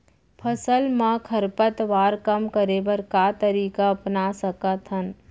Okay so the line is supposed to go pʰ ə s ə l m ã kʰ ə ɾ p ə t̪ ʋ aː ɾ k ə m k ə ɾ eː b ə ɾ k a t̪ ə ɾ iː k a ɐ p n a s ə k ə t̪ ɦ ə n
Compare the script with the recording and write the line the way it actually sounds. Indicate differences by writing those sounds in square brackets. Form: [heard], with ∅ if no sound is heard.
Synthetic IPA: pʰ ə s ə l m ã kʰ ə ɾ p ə t̪ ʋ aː ɾ k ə m k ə ɾ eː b ə ɾ k a t̪ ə ɾ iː k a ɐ p n a s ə k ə t̪ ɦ ə n